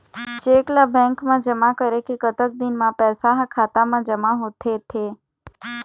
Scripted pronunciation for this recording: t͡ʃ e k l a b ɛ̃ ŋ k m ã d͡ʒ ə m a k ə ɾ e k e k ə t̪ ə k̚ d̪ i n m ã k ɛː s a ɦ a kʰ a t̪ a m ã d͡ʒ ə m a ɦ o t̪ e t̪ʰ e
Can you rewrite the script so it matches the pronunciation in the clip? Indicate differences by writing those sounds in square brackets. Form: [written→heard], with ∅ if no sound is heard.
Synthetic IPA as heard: t͡ʃ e k l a b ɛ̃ ŋ k m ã d͡ʒ ə m a k ə ɾ e k e k ə t̪ ə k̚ d̪ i n m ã [k→p] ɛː s a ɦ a kʰ a t̪ a m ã d͡ʒ ə m a ɦ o [t̪→t̪ʰ] e t̪ʰ e